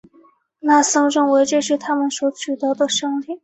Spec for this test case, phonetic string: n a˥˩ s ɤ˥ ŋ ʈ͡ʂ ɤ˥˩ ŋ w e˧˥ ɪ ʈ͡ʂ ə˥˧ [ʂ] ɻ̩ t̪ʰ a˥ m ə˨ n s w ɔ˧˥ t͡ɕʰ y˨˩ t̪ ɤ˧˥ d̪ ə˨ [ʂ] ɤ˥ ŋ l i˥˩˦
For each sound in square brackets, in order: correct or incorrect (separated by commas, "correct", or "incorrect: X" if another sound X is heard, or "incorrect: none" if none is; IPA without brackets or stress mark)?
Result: correct, correct